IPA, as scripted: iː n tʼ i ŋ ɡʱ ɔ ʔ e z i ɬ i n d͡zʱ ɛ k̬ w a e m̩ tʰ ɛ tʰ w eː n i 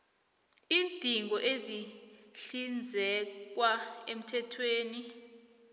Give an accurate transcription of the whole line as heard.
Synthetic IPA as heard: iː n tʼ i ŋ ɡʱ ɔ ʔ e z i ɬ i n d͡zʱ ɛ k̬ w a e m̩ tʰ ɛ tʰ w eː n i

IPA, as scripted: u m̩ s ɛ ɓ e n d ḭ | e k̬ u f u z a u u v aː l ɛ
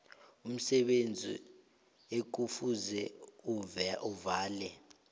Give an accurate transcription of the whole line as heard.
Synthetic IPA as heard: u m̩ s ɛ ɓ e n d͡zʱ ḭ | e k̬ u f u z ɛ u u v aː l ɛ

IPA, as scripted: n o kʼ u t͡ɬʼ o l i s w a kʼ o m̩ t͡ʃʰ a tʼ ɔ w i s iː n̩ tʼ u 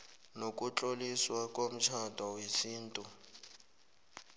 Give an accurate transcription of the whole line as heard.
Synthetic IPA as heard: n o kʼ u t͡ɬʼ o l i s w a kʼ o m̩ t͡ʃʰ a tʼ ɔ w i s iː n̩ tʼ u

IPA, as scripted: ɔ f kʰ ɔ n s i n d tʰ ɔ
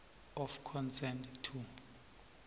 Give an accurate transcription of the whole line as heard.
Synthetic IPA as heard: ɔ f kʰ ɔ n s ɛ n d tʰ u

